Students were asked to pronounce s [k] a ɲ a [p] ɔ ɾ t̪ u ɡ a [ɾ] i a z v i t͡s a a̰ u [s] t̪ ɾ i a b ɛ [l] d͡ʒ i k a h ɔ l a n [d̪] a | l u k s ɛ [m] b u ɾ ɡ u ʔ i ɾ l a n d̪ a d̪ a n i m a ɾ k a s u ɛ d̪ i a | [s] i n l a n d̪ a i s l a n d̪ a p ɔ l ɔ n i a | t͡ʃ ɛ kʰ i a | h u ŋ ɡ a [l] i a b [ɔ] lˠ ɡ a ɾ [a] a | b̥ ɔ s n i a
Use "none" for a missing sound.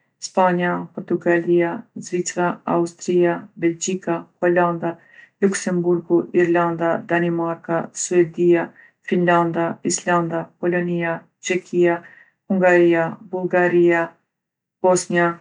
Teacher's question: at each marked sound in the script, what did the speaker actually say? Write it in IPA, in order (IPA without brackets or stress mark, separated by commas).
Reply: p, p, l, s, l, d̪, m, f, ɾ, u, i